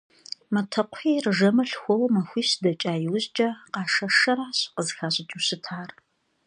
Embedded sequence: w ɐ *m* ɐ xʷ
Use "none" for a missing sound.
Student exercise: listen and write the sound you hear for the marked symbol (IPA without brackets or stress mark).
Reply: m